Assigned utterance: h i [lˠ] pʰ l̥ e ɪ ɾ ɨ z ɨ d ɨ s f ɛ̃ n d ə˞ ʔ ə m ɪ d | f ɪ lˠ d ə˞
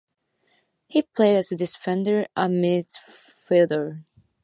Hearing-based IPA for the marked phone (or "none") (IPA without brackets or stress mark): none